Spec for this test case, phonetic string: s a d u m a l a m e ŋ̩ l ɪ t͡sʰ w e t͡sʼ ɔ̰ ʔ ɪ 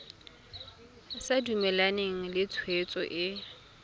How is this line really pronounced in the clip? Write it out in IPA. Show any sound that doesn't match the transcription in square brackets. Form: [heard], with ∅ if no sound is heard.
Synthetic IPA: s a d u m [ɛ] l a [n] e ŋ̩ l ɪ t͡sʰ w e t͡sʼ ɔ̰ ʔ ɪ

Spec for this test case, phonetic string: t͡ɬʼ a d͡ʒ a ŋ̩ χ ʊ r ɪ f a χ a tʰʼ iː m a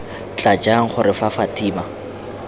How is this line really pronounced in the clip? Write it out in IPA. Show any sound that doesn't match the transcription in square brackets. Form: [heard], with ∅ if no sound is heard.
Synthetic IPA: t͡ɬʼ a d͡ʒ a ŋ̩ χ ʊ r ɪ f a [f] a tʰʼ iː m a

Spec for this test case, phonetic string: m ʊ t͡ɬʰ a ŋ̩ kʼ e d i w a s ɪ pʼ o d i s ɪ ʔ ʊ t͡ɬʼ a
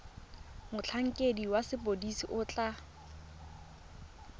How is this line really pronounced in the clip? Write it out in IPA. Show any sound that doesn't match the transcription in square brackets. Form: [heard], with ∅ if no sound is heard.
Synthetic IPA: m ʊ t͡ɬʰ a ŋ̩ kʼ e d i w a s ɪ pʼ o d i s [i] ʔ ʊ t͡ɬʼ a

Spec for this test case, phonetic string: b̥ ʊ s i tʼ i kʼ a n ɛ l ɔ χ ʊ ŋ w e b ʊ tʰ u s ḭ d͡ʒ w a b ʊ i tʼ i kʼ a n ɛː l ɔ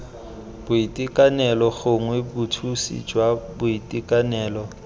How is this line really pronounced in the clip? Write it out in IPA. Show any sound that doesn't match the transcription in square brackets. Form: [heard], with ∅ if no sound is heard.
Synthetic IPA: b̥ ʊ [∅] i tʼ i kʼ a n ɛ l ɔ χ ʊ ŋ w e b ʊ tʰ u s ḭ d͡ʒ w a b ʊ i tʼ i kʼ a n ɛː l ɔ

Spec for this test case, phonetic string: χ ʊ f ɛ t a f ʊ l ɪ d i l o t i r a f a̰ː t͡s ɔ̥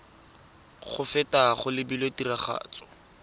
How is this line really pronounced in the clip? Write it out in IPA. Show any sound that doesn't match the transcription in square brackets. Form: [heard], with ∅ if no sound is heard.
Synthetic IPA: χ ʊ f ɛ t a [χ] ʊ l ɪ [b] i l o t i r a [χ] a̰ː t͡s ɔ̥

